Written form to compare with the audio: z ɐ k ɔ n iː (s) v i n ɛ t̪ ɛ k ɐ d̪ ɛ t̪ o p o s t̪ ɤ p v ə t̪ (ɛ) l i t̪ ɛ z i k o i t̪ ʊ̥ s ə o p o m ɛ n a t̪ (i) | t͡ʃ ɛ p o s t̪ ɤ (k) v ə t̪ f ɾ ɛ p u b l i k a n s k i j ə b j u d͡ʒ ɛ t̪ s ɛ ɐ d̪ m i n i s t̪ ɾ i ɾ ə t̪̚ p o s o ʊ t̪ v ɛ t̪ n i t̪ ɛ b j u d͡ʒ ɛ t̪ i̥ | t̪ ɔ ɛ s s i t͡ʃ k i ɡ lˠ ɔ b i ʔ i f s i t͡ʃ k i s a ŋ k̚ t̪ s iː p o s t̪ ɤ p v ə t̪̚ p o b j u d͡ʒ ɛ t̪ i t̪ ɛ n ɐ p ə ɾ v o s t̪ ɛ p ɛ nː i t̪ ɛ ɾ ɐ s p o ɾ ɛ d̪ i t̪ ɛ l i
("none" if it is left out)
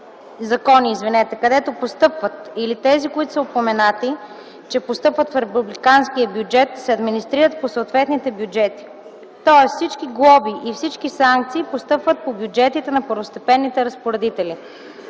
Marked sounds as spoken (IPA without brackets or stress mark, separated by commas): z, i, i, p